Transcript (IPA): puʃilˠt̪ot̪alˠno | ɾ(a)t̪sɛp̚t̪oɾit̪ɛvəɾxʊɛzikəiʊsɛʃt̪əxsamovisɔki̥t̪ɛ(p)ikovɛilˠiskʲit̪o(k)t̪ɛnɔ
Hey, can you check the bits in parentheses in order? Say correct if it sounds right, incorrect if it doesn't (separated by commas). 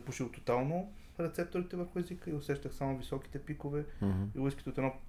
incorrect, correct, incorrect